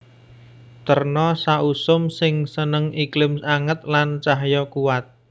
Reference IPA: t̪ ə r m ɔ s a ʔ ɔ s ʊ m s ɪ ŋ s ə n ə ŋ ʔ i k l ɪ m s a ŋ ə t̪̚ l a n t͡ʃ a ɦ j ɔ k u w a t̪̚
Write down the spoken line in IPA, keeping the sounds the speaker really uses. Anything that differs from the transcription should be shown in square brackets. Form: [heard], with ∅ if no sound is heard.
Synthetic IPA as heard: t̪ ə r [n] ɔ s a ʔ [u] s ʊ m s ɪ ŋ s ə n ə ŋ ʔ i k l ɪ m s a ŋ ə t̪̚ l a n t͡ʃ a ɦ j ɔ k u w a t̪̚